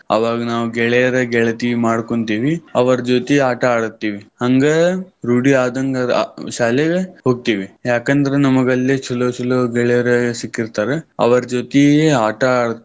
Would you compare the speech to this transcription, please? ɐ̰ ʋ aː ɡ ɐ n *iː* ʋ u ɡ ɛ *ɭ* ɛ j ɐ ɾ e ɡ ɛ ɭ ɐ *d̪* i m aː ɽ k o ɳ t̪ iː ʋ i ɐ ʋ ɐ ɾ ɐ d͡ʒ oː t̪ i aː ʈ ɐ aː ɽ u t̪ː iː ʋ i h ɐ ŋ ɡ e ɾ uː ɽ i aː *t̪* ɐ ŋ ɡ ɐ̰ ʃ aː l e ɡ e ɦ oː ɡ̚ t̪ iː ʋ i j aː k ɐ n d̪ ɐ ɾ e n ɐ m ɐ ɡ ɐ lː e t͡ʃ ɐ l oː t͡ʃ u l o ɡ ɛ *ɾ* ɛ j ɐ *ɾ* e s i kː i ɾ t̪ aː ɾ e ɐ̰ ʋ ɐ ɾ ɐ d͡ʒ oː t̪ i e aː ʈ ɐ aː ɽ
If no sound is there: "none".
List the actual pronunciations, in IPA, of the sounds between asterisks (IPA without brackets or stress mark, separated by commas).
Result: aː, ɭ, t̪, d̪, ɭ, ɾ